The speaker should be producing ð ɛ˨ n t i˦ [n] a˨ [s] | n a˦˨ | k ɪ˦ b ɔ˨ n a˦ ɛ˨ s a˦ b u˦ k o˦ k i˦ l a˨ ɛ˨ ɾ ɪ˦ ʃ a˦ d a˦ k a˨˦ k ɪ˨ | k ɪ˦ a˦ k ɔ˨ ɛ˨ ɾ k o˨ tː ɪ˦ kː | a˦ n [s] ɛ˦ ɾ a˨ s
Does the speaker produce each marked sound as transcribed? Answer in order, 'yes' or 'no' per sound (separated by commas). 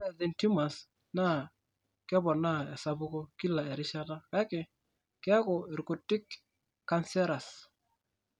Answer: no, yes, yes